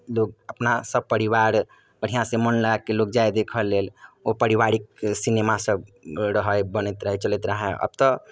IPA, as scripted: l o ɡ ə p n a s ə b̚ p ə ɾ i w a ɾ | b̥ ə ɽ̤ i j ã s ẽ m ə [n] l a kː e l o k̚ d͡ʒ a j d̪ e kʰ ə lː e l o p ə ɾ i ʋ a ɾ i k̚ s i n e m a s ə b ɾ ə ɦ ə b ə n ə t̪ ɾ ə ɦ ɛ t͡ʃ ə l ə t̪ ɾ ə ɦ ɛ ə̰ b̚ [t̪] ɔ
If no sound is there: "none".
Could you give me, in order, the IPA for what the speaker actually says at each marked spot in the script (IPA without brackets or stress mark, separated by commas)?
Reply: n, t̪